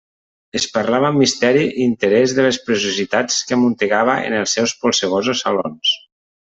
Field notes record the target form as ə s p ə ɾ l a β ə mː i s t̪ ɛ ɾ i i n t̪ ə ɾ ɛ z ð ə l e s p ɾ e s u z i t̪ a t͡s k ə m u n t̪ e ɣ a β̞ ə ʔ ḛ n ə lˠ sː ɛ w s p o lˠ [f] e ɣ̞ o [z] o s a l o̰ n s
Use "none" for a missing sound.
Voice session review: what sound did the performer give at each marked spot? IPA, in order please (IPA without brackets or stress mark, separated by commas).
s, z